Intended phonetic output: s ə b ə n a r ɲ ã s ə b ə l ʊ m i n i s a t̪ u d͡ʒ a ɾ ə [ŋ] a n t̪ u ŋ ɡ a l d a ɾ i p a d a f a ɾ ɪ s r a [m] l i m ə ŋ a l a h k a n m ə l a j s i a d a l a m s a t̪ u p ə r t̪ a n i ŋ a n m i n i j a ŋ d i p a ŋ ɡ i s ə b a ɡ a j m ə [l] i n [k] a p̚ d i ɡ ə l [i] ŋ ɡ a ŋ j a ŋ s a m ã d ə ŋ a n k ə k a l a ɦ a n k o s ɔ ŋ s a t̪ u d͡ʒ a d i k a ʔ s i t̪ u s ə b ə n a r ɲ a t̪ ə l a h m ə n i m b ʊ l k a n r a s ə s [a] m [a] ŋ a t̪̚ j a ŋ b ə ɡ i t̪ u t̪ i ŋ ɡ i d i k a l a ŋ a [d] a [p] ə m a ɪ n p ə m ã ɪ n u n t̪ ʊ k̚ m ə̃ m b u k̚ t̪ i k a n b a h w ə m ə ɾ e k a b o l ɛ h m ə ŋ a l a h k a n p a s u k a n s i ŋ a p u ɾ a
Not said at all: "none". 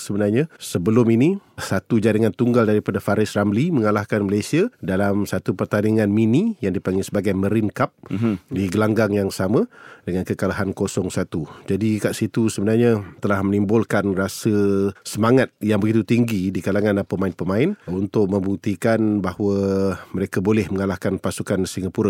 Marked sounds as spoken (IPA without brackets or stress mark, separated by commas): ŋ, m, ɾ, k, a, ə, a, n, p